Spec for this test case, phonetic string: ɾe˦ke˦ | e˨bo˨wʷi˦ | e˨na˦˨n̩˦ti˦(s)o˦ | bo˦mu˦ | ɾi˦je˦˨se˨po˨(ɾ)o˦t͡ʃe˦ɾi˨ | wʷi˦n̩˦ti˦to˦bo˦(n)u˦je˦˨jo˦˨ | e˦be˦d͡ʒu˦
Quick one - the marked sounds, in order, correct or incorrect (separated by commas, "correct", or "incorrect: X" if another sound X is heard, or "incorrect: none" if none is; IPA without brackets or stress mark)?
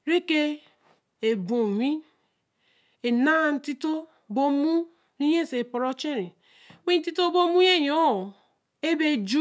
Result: incorrect: t, correct, incorrect: m